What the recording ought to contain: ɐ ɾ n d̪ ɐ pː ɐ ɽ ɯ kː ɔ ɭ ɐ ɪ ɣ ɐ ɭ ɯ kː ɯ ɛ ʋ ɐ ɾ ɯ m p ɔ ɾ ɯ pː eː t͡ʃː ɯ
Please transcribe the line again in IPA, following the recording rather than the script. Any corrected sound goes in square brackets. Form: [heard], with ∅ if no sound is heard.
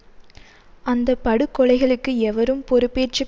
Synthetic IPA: ɐ [∅] n d̪ ɐ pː ɐ ɽ ɯ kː ɔ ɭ ɐ ɪ ɣ ɐ ɭ ɯ kː ɯ ɛ ʋ ɐ ɾ ɯ m p ɔ ɾ ɯ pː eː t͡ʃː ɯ

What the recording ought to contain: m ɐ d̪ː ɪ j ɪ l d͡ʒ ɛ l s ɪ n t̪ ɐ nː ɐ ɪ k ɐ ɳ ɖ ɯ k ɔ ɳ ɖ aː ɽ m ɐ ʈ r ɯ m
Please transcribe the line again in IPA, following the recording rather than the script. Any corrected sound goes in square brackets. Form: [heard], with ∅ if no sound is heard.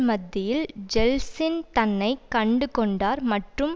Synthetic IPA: m ɐ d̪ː ɪ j ɪ l d͡ʒ ɛ l s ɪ n t̪ ɐ nː ɐ ɪ k ɐ ɳ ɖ ɯ k ɔ ɳ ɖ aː [ɾ] m ɐ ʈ r ɯ m

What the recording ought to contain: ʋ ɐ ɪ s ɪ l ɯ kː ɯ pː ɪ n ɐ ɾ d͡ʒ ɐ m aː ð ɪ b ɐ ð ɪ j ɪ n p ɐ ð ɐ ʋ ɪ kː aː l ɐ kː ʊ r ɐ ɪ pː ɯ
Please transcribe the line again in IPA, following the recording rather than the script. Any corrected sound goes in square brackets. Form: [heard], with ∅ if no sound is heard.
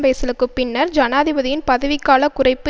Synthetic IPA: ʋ ɐ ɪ s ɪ l ɯ kː ɯ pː ɪ [nː] ɐ ɾ d͡ʒ ɐ [n] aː ð ɪ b ɐ ð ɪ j ɪ n p ɐ ð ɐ ʋ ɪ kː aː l ɐ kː ʊ r ɐ ɪ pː ɯ

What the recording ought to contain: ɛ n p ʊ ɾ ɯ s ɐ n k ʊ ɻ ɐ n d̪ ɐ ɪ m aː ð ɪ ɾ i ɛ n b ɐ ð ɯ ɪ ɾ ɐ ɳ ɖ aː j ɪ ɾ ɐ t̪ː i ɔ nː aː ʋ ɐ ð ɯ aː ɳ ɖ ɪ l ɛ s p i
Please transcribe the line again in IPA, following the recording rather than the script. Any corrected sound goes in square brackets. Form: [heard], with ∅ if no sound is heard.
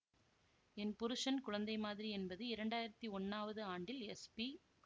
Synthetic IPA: ɛ n p ʊ ɾ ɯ [ʂ] ɐ n k ʊ ɻ ɐ n d̪ ɐ ɪ m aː ð ɪ ɾ i ɛ n b ɐ ð ɯ ɪ ɾ ɐ ɳ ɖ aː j ɪ ɾ ɐ t̪ː i ɔ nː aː ʋ ɐ ð ɯ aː ɳ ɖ ɪ l ɛ s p i

